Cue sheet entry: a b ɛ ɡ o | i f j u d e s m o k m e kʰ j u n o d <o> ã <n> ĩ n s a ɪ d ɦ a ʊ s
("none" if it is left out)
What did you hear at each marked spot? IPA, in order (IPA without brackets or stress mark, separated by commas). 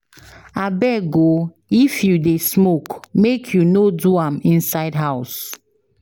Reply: u, m